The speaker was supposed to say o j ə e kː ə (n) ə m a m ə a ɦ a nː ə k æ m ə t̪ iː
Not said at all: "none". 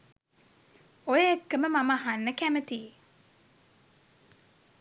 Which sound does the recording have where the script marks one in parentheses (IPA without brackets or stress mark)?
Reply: m